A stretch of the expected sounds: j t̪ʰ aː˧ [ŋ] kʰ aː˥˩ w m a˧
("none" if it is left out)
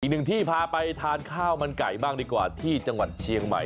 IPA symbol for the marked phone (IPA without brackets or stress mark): n